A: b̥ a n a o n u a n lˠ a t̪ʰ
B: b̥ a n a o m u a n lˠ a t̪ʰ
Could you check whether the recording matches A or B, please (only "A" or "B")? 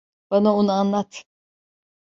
A